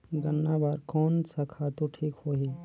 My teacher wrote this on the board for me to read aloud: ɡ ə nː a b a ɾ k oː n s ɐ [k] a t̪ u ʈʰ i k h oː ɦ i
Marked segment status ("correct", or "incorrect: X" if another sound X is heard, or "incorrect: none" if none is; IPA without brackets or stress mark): incorrect: kʰ